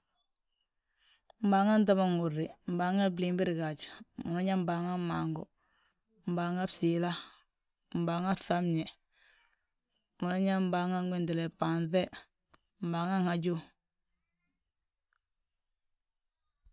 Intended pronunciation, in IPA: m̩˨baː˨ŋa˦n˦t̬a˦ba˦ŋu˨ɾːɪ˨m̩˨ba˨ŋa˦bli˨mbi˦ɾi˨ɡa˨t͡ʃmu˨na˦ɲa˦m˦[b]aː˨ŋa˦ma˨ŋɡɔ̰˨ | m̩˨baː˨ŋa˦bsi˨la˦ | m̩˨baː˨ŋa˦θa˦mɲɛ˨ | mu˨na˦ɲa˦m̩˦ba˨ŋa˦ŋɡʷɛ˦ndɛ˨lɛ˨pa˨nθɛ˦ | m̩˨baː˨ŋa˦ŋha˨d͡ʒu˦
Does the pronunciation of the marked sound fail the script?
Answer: no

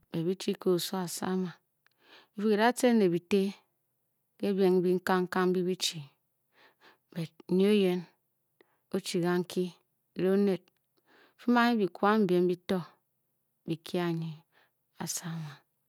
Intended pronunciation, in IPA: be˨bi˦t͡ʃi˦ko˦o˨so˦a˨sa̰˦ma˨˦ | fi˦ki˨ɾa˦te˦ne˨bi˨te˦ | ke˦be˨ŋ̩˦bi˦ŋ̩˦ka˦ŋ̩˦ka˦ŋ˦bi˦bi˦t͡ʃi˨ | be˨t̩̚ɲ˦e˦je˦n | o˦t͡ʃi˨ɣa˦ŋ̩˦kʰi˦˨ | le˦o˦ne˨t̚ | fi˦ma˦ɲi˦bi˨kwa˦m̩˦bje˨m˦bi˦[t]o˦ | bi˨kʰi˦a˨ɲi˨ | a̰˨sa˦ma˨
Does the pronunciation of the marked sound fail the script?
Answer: no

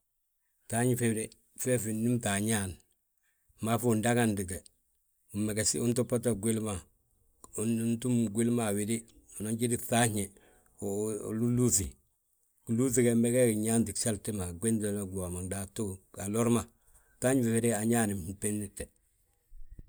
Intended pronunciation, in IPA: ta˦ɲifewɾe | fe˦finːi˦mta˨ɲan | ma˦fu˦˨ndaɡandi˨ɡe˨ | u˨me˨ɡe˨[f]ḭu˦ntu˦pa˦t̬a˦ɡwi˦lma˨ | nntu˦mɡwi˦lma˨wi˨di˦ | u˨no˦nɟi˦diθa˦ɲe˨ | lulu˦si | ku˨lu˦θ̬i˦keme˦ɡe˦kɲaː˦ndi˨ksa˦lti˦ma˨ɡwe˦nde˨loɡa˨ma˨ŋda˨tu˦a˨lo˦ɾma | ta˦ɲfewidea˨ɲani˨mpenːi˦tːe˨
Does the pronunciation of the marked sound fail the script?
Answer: yes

